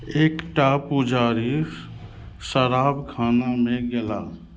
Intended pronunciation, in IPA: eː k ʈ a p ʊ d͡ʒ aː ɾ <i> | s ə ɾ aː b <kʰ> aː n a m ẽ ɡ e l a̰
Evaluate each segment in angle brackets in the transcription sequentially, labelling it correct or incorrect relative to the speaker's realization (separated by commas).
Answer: correct, correct